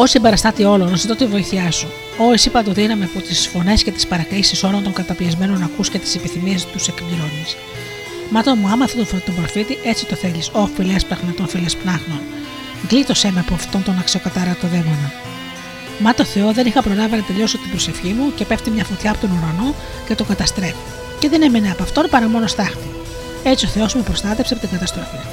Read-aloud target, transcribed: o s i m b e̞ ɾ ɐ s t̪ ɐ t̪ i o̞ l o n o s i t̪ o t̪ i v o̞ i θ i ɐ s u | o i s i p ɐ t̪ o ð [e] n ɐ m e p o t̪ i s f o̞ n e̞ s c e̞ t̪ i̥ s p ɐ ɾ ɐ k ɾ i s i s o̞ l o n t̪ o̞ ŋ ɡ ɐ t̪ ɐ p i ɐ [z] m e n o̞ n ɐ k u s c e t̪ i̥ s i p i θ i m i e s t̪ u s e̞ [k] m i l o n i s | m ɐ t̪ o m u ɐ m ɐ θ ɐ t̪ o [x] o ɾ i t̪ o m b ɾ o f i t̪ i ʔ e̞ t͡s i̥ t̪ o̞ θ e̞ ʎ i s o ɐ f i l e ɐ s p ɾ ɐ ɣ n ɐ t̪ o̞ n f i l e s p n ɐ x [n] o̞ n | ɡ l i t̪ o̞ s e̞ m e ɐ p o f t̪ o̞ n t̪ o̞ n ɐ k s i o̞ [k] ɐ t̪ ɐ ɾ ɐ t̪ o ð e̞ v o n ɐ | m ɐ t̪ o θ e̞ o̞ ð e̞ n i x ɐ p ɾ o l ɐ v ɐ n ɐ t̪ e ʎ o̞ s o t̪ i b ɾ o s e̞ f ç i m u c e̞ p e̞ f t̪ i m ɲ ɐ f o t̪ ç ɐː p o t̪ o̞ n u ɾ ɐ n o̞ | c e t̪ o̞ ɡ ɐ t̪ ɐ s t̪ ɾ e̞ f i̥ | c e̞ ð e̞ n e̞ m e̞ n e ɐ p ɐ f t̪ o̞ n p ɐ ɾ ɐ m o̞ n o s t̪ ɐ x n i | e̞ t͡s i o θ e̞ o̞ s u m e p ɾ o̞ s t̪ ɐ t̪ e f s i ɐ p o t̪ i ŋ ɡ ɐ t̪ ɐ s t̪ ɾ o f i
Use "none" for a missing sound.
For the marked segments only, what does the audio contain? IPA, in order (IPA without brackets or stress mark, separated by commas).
i, z, k, f, n, k